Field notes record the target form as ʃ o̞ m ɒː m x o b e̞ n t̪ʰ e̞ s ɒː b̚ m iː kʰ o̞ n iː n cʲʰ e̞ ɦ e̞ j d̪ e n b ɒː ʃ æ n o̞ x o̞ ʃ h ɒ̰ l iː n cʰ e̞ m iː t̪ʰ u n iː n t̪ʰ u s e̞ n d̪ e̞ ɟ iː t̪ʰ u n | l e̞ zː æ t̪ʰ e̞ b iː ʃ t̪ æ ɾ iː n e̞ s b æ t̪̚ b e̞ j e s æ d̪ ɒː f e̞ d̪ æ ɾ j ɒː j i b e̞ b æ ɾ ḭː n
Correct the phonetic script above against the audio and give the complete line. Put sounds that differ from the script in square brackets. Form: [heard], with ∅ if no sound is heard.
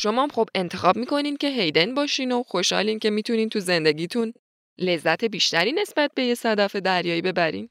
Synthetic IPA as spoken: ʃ o̞ m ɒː m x o b e̞ n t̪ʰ e̞ [x] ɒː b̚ m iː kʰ o̞ n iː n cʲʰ e̞ ɦ e̞ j d̪ e n b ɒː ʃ [i] n o̞ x o̞ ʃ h ɒ̰ l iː n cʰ e̞ m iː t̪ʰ u n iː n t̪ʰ u [z] e̞ n d̪ e̞ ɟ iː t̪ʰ u n | l e̞ zː æ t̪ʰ e̞ b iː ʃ t̪ æ ɾ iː n e̞ s b æ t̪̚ b e̞ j e s æ d̪ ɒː f e̞ d̪ æ ɾ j ɒː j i b e̞ b æ ɾ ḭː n